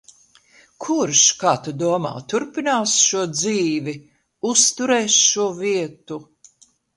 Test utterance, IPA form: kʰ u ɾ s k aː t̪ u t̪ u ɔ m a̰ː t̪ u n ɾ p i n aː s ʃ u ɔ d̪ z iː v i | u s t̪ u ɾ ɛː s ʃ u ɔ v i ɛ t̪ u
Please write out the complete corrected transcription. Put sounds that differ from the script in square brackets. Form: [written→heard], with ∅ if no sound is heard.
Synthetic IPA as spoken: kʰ u ɾ [s→ʃ] k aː t̪ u [t̪→d̪] u ɔ m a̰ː t̪ u [n→∅] ɾ p i n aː s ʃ u ɔ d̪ z iː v i | u s t̪ u ɾ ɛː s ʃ u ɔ v i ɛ t̪ u